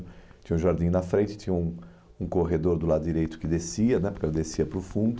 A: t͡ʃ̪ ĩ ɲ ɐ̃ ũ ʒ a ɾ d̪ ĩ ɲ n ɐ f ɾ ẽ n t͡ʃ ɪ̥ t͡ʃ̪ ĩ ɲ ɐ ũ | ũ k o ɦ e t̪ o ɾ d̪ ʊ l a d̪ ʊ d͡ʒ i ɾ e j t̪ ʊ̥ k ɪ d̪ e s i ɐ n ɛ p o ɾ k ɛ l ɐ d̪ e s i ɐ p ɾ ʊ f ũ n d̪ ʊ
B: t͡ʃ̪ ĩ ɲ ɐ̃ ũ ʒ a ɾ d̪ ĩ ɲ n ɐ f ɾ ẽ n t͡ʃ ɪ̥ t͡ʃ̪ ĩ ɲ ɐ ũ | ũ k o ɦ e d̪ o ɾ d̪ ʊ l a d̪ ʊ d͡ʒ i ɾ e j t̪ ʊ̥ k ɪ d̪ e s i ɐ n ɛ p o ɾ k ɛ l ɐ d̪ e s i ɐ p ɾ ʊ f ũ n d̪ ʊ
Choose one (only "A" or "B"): B